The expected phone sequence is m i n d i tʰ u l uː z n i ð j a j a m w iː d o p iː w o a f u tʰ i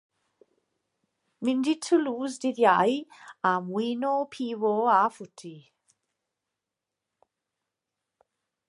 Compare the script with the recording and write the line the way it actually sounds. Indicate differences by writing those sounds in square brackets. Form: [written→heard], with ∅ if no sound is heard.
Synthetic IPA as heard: m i n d i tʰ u l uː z [n→d] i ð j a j a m w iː [d→n] o [p→pʰ] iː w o a f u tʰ i